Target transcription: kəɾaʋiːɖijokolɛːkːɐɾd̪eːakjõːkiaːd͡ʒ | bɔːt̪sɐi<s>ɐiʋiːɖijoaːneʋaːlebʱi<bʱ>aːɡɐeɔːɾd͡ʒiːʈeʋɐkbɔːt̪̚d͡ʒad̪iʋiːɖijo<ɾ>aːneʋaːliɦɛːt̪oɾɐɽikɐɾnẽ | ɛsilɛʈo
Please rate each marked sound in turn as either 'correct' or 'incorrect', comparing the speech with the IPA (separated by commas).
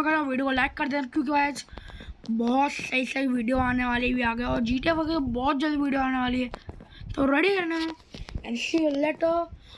correct, incorrect, incorrect